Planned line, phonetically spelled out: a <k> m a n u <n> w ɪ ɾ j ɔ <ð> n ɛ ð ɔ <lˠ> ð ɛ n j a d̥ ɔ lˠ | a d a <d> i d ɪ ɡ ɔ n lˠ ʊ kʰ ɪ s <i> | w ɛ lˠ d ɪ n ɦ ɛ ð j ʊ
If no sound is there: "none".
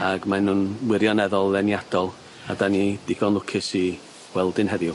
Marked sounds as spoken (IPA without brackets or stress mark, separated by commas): ɡ, n, none, lˠ, n, i